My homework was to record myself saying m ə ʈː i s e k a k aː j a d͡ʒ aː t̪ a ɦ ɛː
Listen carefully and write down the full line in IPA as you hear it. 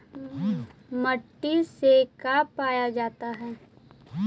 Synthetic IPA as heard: m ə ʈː i s e k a p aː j a d͡ʒ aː t̪ a ɦ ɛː